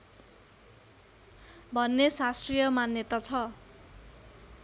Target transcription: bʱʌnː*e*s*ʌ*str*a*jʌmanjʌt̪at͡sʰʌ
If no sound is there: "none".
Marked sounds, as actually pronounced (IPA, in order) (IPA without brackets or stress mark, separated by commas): e, a, i